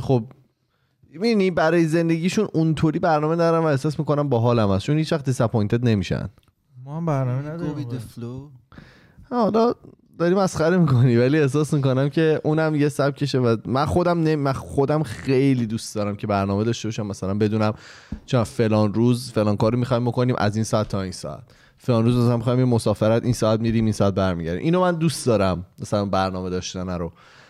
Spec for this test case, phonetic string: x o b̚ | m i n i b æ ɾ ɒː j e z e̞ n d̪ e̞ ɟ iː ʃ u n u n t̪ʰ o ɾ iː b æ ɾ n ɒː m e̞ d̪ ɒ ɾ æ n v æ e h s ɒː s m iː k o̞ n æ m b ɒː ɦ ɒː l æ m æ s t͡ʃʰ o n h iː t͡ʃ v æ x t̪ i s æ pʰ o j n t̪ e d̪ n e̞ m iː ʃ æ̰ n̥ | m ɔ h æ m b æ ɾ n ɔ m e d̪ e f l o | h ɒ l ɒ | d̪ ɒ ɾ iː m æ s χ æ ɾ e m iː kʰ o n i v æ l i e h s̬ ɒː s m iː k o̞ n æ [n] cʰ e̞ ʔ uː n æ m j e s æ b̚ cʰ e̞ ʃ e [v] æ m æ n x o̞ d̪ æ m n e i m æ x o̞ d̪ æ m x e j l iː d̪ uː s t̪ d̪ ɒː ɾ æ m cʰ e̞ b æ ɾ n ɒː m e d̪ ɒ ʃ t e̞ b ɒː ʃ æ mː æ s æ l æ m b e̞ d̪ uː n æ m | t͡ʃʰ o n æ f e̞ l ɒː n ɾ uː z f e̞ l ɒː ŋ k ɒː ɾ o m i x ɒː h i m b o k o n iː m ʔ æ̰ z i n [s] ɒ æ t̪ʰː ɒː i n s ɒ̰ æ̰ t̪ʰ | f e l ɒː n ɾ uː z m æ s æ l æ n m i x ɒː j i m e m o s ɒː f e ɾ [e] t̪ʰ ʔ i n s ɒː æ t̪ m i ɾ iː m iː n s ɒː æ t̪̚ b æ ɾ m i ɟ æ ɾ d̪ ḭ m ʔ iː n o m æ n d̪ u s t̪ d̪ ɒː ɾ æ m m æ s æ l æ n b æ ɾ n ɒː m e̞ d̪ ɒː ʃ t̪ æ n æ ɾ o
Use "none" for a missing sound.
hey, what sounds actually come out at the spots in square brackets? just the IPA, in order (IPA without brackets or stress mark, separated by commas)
m, v, s, æ